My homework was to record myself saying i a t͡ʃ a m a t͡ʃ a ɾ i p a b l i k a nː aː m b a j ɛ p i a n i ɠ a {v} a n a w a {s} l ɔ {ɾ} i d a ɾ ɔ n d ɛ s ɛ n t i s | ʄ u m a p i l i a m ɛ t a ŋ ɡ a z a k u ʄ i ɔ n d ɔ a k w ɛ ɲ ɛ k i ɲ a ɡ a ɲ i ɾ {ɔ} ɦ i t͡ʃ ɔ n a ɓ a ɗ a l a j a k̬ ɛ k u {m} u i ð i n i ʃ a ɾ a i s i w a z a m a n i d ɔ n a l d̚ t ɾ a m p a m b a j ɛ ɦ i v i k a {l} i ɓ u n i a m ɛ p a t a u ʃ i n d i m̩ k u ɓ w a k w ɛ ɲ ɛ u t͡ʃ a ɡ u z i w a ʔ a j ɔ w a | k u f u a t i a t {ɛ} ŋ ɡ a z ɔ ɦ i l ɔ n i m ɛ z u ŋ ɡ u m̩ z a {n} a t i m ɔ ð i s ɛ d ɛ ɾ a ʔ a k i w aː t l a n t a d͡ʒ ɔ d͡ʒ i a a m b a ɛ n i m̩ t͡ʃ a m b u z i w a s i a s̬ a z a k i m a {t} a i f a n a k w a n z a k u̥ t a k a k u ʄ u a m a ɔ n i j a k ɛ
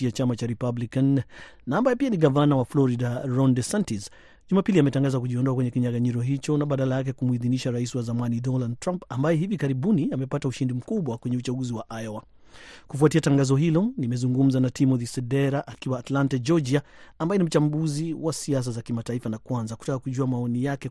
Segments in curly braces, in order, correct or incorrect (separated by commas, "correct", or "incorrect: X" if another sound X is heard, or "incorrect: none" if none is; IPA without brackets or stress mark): correct, incorrect: f, correct, correct, correct, incorrect: ɾ, incorrect: a, correct, correct